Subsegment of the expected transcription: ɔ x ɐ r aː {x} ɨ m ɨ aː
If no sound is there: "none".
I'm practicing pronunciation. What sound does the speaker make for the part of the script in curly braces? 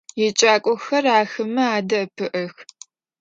x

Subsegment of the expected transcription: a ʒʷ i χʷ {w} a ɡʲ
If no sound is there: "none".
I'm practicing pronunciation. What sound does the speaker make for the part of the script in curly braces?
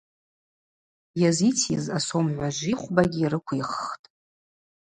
b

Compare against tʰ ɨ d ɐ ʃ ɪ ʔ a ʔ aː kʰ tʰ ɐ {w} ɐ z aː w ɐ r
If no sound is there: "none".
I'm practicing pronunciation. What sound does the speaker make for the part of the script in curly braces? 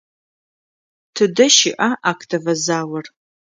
v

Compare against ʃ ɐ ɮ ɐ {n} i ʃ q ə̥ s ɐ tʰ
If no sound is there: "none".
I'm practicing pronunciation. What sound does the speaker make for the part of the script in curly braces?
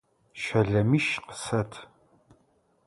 m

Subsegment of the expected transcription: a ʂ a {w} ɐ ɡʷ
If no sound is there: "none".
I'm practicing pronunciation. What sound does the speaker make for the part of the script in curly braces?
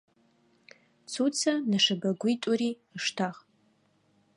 b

